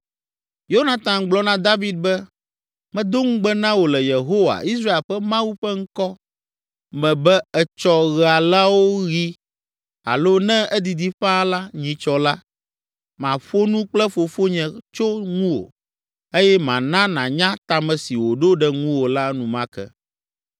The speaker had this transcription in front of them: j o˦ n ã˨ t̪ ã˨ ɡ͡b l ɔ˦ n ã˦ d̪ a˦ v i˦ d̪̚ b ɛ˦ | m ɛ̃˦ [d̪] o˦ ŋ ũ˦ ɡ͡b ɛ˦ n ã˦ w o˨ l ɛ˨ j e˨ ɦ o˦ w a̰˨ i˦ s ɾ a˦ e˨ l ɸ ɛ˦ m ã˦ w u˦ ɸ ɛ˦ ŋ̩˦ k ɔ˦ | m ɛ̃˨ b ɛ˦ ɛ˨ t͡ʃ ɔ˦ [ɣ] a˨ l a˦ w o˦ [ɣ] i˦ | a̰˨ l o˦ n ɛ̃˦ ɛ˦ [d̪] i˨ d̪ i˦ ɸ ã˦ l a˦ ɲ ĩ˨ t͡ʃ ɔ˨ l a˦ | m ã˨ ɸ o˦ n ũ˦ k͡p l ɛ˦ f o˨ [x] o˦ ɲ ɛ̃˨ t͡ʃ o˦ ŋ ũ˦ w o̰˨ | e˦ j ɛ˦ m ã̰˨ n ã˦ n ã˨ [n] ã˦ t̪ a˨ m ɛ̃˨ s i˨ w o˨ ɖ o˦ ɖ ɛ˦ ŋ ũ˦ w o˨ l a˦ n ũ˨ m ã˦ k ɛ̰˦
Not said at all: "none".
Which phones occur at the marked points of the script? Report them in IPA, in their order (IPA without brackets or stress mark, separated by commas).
d̪, ɣ, ɣ, d̪, f, ɲ